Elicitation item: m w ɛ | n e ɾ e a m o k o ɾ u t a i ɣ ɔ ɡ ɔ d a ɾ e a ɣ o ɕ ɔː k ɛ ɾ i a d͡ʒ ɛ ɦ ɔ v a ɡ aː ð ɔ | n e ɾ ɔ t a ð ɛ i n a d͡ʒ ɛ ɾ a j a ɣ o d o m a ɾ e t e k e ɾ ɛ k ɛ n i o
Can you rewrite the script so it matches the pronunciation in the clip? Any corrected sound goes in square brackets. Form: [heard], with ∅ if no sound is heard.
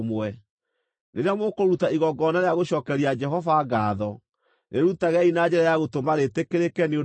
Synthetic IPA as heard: m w ɛ | n e ɾ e a m o k o ɾ u t a i ɣ ɔ ɡ ɔ [n] a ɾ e a ɣ o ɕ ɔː k ɛ ɾ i a d͡ʒ ɛ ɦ ɔ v a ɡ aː ð ɔ | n e ɾ [u] t a [ɣ] ɛ i n a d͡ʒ ɛ ɾ a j a ɣ o [t] o m a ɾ e t e k e ɾ [e] k ɛ n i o